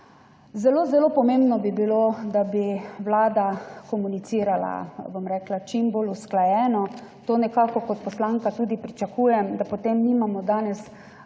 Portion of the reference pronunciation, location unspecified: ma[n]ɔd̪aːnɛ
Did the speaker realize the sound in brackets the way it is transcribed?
no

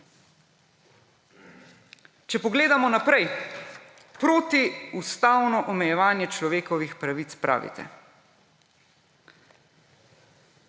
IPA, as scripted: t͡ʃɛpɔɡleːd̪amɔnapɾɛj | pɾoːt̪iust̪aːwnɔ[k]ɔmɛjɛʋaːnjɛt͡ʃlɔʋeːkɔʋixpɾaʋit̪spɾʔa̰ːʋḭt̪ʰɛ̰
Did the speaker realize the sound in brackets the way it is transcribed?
no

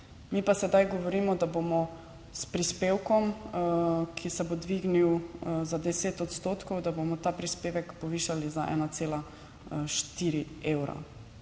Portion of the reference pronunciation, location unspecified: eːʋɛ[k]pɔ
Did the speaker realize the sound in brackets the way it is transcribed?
yes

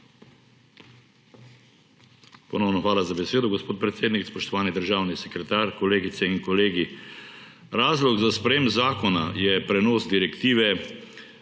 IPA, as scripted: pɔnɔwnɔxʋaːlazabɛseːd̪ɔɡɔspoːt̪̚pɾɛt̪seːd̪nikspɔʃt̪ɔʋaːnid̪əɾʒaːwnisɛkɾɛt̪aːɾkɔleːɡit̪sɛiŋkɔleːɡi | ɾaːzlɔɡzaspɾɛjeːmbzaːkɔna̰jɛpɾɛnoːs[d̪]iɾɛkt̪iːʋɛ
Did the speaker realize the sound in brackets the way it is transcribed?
yes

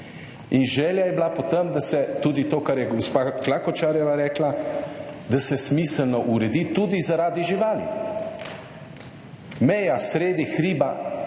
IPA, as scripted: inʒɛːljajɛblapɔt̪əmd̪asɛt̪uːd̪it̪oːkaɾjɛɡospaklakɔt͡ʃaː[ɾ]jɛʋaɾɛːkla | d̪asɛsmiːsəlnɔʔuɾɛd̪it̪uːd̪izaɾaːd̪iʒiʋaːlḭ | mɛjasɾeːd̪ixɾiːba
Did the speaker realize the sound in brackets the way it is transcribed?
yes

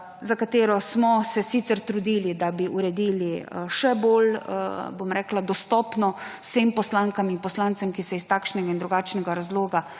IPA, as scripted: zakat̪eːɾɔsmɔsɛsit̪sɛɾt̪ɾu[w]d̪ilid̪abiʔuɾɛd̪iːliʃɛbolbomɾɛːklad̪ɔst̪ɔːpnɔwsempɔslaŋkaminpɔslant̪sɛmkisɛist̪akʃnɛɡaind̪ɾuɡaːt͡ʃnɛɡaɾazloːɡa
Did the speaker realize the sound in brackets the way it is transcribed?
no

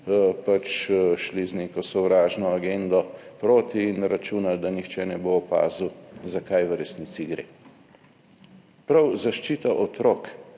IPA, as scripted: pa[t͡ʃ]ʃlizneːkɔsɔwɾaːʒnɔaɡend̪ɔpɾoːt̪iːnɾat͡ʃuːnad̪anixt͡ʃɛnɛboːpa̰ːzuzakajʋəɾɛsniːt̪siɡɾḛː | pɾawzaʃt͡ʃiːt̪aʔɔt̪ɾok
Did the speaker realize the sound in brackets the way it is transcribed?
yes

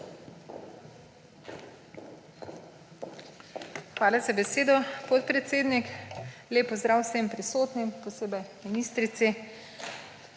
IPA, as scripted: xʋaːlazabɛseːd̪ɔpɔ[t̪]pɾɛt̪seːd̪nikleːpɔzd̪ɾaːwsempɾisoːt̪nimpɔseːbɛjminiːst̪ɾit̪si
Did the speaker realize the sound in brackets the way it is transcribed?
yes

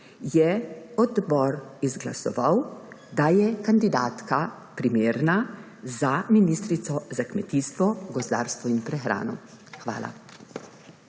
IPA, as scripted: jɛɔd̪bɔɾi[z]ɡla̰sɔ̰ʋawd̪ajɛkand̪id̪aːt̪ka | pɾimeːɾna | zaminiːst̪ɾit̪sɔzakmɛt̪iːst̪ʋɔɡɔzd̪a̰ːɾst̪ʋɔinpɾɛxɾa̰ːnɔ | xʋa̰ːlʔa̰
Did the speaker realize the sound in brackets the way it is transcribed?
yes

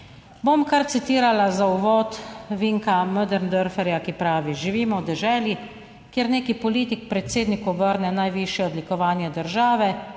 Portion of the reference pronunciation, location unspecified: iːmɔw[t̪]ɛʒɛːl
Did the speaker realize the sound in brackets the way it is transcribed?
no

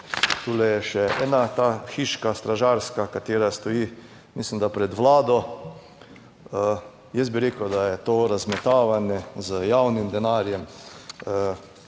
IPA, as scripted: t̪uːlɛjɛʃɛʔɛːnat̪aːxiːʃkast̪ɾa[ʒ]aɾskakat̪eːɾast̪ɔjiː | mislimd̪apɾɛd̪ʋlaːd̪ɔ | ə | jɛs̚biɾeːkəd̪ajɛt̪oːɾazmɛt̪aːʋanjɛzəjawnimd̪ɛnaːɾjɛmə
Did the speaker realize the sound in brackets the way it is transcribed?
yes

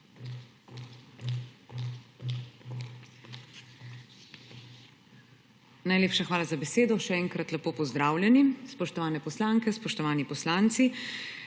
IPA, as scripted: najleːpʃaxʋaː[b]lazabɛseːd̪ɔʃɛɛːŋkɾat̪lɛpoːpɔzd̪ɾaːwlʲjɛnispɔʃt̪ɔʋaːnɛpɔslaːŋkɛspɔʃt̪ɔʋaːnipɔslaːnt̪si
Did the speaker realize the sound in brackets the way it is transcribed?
no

